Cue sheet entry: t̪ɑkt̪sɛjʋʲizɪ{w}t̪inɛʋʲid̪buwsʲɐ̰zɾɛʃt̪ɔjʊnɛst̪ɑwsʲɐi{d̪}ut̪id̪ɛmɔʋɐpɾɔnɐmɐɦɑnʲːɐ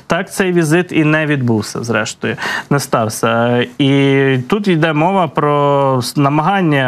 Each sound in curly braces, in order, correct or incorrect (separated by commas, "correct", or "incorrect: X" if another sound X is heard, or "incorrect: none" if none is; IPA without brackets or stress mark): incorrect: none, incorrect: t̪